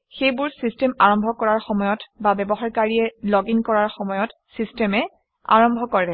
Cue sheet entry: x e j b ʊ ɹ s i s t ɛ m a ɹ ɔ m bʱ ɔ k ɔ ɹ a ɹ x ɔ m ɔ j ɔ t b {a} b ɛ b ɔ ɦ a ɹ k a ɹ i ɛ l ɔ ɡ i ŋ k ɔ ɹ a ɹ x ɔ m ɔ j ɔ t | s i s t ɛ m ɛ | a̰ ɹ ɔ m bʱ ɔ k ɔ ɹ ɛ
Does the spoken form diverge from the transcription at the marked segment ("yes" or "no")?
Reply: no